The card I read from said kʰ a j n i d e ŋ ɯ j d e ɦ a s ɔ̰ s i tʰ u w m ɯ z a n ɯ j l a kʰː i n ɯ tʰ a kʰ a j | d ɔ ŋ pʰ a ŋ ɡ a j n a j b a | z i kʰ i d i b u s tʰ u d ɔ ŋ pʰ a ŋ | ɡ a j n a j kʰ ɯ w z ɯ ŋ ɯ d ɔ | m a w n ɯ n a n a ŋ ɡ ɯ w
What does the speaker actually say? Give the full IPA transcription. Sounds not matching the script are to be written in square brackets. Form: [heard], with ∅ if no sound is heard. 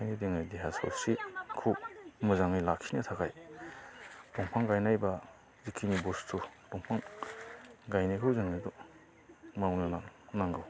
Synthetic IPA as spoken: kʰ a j n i d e ŋ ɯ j d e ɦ a s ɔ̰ s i [kʰ] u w m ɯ z a [ŋ] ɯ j l a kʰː i n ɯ tʰ a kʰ a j | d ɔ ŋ pʰ a ŋ ɡ a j n a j b a | z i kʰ i [n] i b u s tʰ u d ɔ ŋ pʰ a ŋ | ɡ a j n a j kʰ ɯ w z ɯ ŋ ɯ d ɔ | m a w n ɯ n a n a ŋ ɡ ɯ w